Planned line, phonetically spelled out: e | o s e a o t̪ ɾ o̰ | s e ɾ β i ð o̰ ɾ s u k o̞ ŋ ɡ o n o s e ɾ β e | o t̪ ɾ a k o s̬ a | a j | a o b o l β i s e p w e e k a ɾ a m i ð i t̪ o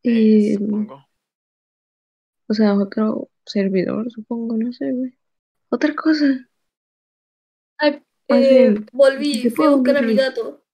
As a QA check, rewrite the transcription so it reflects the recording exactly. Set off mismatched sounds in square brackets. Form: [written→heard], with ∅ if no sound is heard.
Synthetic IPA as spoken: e | o s e a o t̪ ɾ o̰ | s e ɾ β i ð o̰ ɾ s u [k→p] o̞ ŋ ɡ o n o s e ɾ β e | o t̪ ɾ a k o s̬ a | a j | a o b o l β i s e p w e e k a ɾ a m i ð [i→a] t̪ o